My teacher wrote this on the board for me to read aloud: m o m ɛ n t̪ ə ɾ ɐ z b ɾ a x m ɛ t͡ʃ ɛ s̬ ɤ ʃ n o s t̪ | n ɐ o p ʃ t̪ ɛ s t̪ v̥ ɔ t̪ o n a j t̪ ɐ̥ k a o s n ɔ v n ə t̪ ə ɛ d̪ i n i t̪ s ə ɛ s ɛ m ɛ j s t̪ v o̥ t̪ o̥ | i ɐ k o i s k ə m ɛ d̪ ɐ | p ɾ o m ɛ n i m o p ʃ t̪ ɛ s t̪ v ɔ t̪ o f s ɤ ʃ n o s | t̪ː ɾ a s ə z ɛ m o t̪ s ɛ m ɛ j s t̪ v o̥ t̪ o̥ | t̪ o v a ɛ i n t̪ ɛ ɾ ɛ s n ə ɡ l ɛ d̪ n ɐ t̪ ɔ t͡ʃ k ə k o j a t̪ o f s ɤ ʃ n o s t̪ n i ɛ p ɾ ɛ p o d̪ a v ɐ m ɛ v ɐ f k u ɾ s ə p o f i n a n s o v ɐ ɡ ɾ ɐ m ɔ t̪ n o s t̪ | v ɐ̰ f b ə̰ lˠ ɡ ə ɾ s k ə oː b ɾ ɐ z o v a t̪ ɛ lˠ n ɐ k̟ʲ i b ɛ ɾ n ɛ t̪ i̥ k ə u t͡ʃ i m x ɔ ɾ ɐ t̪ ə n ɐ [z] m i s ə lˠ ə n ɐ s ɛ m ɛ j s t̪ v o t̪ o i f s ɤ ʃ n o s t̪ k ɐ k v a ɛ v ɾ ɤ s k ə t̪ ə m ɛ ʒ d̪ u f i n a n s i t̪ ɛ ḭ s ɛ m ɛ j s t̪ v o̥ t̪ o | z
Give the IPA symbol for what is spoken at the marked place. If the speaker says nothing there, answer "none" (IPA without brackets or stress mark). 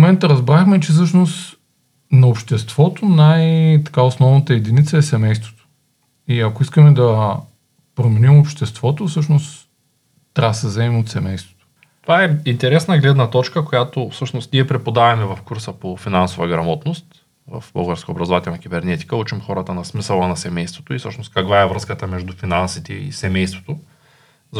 s